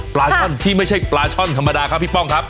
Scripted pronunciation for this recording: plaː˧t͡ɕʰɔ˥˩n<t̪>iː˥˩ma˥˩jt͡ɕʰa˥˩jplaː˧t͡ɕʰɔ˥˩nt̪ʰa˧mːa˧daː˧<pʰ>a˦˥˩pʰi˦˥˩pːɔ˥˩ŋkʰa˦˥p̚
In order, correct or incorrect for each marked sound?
incorrect: t̪ʰ, incorrect: kʰ

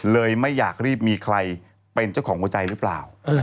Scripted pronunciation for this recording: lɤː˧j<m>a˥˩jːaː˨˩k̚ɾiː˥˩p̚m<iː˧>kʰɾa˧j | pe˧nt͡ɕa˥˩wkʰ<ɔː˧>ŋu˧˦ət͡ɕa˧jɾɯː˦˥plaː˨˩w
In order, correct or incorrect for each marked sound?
correct, correct, incorrect: ɔː˩˦

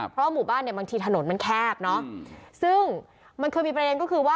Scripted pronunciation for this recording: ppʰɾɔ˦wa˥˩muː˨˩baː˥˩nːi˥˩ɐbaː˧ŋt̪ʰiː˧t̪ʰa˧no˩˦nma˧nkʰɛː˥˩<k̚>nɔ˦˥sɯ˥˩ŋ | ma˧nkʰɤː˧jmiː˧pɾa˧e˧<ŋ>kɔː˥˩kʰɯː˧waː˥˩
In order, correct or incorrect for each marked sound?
incorrect: p̚, incorrect: n

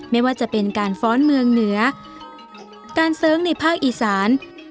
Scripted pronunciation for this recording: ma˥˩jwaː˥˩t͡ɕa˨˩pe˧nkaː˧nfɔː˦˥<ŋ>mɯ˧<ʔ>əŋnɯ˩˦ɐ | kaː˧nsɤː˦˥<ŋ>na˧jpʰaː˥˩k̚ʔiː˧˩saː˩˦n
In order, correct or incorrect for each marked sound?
incorrect: n, incorrect: none, correct

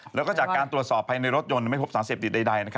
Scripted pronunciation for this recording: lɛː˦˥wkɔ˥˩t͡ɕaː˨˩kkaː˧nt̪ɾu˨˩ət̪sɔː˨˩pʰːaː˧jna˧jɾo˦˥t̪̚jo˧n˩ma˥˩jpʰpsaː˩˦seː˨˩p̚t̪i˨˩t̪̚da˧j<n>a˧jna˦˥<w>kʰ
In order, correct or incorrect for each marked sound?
incorrect: d, incorrect: none

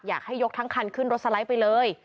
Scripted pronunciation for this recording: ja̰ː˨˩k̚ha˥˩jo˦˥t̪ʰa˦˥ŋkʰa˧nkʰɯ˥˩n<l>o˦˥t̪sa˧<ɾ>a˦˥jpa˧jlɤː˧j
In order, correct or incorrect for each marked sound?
incorrect: ɾ, incorrect: l

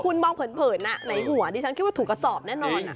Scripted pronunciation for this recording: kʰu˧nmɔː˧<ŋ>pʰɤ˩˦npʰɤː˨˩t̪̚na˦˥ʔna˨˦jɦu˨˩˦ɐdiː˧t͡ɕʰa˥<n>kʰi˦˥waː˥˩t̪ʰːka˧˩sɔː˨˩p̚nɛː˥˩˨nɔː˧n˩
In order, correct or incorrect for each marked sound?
correct, correct

